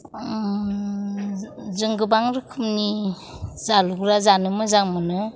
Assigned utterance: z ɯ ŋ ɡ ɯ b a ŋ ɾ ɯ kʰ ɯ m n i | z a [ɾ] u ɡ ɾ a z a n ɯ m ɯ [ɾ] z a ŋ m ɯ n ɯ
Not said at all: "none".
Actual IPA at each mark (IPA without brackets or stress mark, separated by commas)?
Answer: l, none